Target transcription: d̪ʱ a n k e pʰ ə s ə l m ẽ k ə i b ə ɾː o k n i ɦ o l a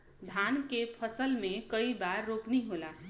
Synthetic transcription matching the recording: d̪ʱ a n k e pʰ ə s ə l m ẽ k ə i b a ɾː o k n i ɦ o l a